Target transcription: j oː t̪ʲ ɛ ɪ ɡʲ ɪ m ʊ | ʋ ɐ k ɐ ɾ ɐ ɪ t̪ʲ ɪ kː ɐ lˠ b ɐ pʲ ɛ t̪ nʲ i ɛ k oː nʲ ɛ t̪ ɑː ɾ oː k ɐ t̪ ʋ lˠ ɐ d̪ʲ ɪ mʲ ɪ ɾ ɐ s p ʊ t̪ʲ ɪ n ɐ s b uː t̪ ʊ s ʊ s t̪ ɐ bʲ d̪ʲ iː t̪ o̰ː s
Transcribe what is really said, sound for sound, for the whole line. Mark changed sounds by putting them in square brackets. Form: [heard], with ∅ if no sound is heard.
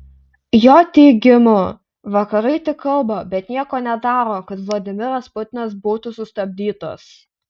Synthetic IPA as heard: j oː t̪ʲ ɛ ɪ ɡʲ ɪ m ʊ | ʋ ɐ k ɐ ɾ ɐ ɪ t̪ʲ ɪ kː ɐ lˠ b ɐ [bʲ] ɛ t̪ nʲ i ɛ k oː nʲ ɛ [d̪] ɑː ɾ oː k ɐ t̪ ʋ lˠ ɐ d̪ʲ ɪ mʲ ɪ ɾ ɐ s p ʊ t̪ʲ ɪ n ɐ s b uː t̪ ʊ s ʊ s t̪ ɐ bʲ d̪ʲ iː t̪ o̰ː s